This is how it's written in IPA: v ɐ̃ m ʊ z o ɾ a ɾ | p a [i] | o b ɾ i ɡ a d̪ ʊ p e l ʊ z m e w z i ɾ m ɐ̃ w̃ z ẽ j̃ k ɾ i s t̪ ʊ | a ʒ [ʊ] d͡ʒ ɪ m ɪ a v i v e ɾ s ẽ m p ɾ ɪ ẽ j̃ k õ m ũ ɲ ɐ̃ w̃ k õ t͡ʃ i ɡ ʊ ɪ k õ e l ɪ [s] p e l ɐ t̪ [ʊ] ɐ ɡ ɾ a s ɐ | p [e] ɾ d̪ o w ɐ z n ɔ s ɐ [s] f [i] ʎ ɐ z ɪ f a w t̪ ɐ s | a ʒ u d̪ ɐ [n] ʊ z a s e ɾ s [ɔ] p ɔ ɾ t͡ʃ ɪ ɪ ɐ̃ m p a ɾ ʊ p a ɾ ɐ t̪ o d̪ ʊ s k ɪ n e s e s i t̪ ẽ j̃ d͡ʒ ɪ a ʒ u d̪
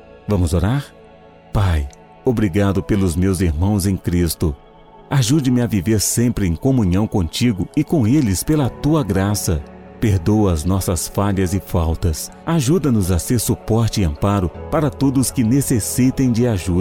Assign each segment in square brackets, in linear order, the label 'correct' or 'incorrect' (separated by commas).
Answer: incorrect, incorrect, correct, incorrect, correct, correct, incorrect, correct, incorrect